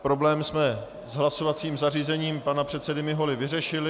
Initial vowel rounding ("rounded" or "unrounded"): rounded